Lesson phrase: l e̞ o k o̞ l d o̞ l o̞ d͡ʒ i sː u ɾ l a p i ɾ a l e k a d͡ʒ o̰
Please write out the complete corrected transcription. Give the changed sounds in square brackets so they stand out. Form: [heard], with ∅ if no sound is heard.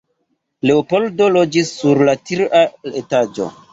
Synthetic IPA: l e̞ o [p] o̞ l d o̞ l o̞ d͡ʒ i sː u ɾ l a [t] i ɾ a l e [t] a d͡ʒ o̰